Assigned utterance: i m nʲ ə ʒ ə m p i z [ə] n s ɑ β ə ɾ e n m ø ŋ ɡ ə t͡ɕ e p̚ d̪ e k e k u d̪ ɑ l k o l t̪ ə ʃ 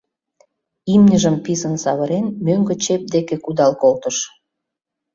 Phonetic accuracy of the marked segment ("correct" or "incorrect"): correct